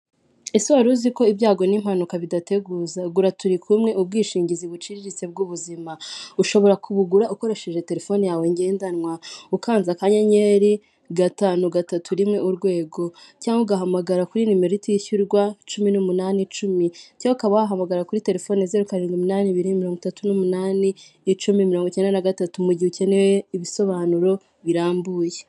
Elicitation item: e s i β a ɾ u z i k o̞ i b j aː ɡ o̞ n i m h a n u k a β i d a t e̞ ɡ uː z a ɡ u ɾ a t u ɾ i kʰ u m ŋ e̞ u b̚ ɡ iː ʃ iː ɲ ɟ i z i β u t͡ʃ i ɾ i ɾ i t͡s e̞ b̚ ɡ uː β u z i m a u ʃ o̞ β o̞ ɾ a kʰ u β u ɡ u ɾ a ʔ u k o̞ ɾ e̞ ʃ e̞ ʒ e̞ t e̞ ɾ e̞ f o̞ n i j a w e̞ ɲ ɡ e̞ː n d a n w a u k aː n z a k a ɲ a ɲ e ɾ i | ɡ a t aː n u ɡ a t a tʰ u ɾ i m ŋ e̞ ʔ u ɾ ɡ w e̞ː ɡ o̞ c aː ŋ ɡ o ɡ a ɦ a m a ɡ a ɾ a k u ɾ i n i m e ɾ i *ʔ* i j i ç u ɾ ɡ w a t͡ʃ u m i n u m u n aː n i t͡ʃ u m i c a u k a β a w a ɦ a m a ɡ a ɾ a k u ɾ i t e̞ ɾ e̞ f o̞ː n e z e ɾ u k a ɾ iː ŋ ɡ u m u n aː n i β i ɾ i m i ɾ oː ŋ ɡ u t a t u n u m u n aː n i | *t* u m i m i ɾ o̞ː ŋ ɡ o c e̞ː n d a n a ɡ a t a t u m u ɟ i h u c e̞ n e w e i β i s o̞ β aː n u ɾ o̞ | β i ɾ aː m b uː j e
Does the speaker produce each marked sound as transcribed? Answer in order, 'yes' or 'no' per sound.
no, no

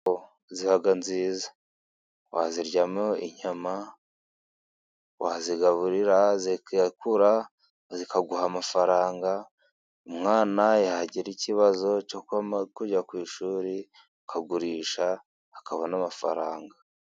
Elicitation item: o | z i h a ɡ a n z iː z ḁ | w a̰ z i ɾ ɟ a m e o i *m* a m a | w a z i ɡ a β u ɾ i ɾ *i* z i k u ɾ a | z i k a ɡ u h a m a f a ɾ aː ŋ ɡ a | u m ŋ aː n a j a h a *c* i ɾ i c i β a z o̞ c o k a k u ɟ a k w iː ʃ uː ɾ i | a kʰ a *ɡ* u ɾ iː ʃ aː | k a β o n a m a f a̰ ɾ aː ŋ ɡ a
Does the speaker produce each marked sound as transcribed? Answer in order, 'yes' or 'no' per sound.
no, no, no, yes

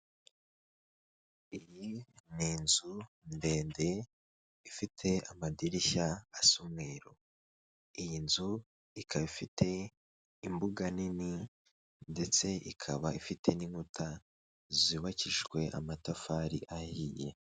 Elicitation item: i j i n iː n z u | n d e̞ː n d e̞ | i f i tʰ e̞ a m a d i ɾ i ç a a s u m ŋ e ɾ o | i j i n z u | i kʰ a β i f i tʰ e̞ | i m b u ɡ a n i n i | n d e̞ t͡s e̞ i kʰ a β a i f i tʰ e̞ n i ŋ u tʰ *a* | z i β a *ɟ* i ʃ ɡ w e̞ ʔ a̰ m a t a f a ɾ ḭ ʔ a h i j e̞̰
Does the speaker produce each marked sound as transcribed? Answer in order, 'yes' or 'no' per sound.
yes, no

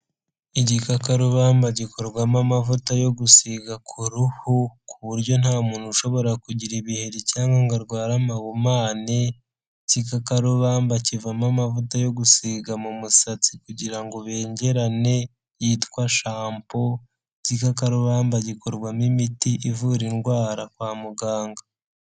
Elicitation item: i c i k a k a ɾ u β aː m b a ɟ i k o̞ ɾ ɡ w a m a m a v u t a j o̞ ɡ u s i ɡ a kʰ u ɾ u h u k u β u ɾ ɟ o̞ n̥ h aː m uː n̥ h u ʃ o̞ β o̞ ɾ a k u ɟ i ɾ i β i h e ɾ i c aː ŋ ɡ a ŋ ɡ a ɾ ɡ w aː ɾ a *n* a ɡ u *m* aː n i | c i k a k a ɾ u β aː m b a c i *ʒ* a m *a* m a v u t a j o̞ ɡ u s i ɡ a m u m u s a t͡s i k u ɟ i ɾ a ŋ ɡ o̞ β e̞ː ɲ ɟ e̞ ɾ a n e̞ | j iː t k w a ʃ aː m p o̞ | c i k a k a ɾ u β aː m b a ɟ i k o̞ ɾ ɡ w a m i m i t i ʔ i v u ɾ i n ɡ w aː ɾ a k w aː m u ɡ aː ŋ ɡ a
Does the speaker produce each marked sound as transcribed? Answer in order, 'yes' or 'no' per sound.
no, yes, no, yes

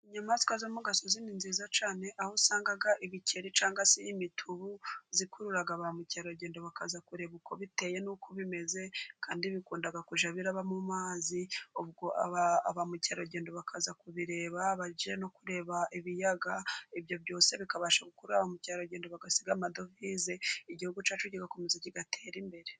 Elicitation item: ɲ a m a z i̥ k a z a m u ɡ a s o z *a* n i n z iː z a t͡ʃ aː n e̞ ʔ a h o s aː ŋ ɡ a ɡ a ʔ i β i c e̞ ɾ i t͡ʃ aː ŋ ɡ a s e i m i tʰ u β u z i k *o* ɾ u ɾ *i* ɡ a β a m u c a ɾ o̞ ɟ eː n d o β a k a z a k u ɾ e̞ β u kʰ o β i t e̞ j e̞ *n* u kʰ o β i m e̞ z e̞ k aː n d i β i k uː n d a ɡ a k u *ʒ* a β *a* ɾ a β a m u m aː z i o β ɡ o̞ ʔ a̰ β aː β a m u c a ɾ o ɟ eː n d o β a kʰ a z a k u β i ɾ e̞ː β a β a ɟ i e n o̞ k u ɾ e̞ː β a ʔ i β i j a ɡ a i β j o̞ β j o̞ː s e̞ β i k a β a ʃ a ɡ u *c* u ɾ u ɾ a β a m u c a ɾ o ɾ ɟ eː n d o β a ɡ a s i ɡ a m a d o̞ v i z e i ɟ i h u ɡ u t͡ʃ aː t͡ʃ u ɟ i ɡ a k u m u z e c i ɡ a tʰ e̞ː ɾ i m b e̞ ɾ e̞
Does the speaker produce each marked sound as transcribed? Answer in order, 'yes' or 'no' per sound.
no, no, no, yes, yes, no, no

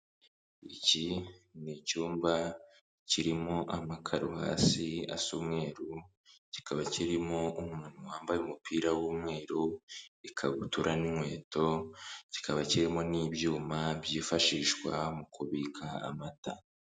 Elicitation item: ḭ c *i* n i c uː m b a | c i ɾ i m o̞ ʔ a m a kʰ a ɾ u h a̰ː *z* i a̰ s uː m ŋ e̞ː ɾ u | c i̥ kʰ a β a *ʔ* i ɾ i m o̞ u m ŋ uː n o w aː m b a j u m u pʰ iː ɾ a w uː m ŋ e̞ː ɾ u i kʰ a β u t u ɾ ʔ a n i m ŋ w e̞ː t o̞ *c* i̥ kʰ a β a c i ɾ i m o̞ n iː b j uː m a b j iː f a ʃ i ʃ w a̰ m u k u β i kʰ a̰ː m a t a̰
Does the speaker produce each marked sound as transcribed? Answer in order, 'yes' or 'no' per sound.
yes, no, no, yes

